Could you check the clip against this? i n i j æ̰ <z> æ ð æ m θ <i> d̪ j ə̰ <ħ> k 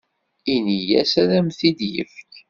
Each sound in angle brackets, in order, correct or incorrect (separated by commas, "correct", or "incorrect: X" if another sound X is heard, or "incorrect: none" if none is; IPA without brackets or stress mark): incorrect: s, correct, incorrect: f